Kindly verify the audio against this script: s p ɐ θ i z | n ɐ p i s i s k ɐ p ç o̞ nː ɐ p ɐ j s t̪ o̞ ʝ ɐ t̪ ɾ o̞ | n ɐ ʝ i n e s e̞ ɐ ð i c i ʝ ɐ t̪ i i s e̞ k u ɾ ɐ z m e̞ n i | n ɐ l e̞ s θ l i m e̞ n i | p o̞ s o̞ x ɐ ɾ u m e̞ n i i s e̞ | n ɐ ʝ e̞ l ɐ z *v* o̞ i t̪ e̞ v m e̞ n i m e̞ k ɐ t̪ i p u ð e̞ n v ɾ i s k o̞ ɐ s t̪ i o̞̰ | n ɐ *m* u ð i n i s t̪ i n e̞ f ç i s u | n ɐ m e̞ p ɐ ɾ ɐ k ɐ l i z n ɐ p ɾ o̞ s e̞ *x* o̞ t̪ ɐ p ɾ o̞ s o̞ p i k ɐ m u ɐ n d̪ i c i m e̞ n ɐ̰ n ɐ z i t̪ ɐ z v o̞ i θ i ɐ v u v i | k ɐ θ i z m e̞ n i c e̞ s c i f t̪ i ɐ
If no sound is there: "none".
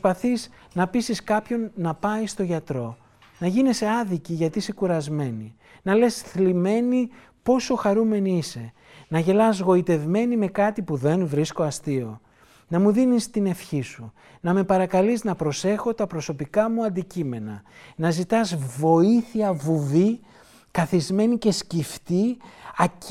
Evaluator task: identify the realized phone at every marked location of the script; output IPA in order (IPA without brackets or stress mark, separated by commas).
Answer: ɣ, m, x